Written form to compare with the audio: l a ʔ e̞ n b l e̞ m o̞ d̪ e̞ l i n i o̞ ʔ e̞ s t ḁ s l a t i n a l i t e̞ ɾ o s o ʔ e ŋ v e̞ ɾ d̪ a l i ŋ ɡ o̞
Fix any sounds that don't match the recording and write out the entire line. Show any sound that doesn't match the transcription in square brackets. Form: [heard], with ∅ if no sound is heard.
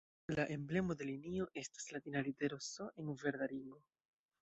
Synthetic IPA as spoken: l a ʔ e̞ [m] b l e̞ m o̞ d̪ e̞ l i n i o̞ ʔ e̞ s t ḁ s l a t i n a l i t e̞ ɾ o s o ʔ e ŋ v e̞ ɾ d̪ a l i ŋ ɡ o̞

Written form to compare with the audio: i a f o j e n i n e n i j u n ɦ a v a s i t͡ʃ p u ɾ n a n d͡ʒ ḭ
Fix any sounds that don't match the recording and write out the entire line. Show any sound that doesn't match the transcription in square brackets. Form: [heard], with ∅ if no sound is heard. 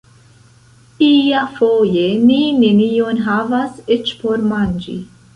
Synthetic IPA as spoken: i a f o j e n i n e n i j [o] n ɦ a v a s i t͡ʃ p [o] ɾ [m] a n d͡ʒ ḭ

